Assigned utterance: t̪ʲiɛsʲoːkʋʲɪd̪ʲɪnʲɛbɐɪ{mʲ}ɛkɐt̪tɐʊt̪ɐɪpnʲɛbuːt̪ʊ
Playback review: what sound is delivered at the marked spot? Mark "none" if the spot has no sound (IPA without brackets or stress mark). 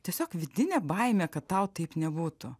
mʲ